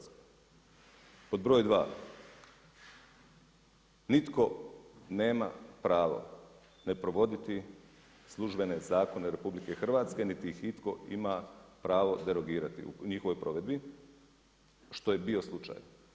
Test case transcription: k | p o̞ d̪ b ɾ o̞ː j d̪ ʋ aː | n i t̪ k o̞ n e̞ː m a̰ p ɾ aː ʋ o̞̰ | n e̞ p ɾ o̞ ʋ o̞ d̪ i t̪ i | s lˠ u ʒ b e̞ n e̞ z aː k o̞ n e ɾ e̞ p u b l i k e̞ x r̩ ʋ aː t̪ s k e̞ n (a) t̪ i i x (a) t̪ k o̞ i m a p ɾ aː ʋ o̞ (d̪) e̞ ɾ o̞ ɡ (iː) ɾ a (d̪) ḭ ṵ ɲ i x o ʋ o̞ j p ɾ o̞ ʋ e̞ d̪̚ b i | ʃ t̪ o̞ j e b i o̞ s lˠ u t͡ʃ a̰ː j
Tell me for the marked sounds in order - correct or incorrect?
incorrect, incorrect, correct, correct, incorrect

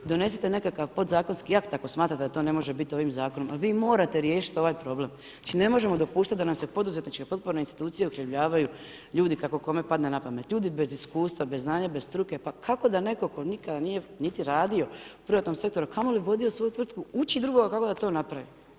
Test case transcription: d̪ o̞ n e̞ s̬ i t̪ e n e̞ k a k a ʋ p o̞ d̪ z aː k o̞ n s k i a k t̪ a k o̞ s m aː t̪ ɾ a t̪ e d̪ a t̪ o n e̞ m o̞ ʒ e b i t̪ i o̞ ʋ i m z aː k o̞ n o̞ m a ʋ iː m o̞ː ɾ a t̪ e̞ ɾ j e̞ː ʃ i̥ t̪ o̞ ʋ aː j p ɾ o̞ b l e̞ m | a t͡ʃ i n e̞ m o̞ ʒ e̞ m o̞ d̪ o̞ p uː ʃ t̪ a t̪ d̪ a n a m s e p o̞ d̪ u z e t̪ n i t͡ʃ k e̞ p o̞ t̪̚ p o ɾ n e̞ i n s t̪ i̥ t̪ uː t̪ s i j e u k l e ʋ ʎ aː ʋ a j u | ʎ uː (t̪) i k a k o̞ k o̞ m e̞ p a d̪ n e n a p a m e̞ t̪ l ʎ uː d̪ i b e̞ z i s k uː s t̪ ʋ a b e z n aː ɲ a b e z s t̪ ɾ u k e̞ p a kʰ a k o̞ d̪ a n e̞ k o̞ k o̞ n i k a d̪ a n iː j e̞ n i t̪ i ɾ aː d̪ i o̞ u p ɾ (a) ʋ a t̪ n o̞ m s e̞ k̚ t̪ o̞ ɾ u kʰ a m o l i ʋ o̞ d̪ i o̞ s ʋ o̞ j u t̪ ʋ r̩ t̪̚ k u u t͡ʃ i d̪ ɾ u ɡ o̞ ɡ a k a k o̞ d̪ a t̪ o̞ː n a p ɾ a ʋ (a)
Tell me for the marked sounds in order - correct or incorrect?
incorrect, incorrect, incorrect

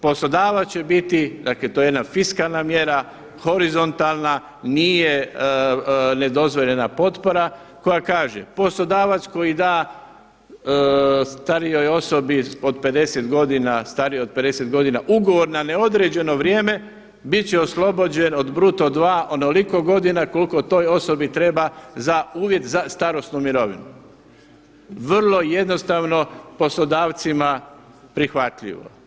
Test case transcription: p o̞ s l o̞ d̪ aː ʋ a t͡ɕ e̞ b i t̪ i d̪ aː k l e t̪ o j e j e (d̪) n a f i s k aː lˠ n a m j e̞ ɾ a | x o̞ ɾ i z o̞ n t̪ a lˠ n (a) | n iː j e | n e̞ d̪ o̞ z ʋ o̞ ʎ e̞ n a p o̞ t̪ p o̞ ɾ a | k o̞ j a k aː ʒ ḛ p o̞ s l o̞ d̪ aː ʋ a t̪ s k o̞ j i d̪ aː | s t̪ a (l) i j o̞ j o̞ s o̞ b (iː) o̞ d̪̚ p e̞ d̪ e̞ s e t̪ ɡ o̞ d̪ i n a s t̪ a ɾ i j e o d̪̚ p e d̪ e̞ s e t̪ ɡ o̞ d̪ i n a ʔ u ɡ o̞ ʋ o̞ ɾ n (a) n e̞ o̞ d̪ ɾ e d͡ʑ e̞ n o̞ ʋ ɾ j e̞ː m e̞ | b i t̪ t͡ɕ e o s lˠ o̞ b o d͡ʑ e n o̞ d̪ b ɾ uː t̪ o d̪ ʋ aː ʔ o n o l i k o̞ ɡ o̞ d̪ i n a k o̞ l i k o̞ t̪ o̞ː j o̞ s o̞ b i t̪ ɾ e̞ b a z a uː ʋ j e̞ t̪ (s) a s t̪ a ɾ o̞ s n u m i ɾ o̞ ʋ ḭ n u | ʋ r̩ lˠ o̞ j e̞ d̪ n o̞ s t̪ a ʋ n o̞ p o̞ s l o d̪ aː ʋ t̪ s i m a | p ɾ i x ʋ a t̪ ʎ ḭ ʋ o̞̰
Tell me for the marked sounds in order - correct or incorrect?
correct, correct, incorrect, incorrect, correct, incorrect

